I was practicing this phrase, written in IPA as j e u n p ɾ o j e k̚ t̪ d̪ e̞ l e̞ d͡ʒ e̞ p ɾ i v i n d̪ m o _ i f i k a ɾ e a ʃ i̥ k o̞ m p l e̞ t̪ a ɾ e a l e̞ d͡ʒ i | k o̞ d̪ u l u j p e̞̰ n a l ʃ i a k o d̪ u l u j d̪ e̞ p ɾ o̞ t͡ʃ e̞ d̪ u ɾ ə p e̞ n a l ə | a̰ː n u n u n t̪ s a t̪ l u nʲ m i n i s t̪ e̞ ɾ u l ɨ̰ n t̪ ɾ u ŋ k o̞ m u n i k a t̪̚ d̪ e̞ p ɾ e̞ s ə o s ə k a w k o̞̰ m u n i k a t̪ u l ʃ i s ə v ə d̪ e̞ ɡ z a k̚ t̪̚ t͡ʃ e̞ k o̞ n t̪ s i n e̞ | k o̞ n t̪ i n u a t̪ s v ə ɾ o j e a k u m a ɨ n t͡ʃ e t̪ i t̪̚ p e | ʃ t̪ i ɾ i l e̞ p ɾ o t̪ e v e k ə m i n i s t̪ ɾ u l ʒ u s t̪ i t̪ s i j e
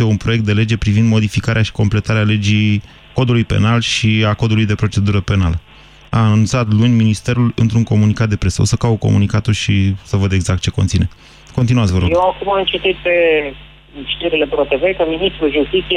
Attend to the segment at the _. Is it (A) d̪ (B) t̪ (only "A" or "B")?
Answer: A